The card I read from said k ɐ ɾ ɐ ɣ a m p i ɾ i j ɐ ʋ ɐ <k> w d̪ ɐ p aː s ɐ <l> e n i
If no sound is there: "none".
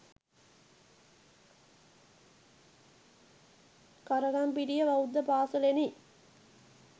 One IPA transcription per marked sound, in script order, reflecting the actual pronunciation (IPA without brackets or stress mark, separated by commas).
none, l